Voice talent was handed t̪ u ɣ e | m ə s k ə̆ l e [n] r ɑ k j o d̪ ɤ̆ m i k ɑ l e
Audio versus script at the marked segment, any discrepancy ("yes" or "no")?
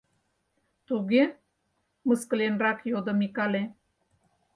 no